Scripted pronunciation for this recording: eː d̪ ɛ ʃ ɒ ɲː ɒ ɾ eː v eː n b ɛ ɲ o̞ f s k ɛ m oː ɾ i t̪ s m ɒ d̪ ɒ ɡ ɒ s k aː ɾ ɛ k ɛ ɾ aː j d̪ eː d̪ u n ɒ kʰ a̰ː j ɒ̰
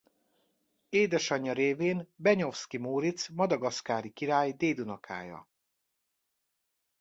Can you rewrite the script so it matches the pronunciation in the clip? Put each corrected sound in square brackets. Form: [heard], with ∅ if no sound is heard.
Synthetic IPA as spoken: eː d̪ ɛ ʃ ɒ ɲː ɒ ɾ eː v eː n b ɛ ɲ o̞ f s k [i] m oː ɾ i t̪ s m ɒ d̪ ɒ ɡ ɒ s k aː ɾ [i] k [i] ɾ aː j d̪ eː d̪ u n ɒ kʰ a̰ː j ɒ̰